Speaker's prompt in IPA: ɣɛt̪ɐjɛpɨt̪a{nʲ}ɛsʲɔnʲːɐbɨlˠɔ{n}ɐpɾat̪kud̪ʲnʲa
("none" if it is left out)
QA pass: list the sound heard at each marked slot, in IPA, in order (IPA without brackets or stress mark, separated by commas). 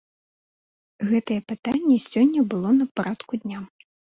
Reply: nʲː, n